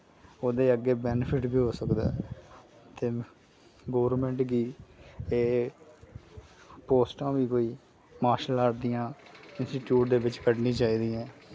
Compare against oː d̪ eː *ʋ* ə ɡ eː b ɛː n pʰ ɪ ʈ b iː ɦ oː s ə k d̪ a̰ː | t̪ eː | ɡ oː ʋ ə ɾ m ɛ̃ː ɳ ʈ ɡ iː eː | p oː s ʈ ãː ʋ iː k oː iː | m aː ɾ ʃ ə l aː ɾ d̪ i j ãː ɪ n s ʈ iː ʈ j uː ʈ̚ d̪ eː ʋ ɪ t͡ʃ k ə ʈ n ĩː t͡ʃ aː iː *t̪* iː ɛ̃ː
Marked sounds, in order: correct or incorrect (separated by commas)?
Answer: incorrect, incorrect